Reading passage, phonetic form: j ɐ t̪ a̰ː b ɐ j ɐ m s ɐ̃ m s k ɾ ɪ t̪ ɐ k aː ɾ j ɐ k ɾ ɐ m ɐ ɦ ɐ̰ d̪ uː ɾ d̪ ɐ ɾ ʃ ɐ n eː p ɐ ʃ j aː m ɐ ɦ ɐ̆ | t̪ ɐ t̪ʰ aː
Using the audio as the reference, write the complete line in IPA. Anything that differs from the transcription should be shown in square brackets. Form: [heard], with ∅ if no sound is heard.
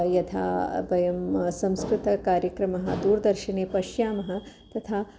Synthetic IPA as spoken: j ɐ [t̪ʰ] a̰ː b ɐ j ɐ m s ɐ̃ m s k ɾ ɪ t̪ ɐ k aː ɾ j ɐ k ɾ ɐ m ɐ ɦ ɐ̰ d̪ uː ɾ d̪ ɐ ɾ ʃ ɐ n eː p ɐ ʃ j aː m ɐ ɦ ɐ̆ | t̪ ɐ t̪ʰ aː